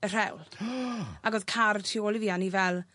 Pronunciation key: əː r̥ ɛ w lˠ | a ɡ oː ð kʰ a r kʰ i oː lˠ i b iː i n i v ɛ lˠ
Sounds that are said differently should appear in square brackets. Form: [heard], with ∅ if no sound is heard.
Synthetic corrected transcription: [ə] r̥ ɛ w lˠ | a ɡ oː ð kʰ a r [tʰ] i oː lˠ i [v] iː [a] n i v ɛ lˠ